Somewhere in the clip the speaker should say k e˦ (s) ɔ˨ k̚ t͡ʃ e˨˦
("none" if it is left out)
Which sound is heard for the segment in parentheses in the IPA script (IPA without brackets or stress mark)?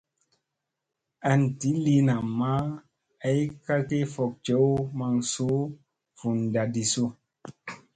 f